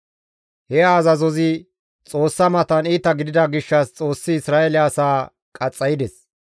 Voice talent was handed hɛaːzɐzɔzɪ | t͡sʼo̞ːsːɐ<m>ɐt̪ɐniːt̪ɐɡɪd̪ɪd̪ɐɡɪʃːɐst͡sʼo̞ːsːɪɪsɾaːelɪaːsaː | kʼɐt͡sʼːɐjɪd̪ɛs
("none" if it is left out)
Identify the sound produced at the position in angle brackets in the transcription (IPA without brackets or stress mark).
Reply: m